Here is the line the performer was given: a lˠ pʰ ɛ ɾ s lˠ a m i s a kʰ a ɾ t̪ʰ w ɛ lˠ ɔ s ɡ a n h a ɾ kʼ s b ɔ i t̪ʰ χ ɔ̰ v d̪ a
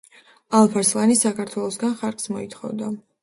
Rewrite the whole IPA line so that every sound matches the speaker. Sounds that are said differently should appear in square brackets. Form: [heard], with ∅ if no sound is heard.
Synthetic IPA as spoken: a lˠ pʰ [a] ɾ s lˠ a [n] i s a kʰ a ɾ t̪ʰ w ɛ lˠ ɔ s ɡ a n [χ] a ɾ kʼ s [m] ɔ i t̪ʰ χ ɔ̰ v d̪ a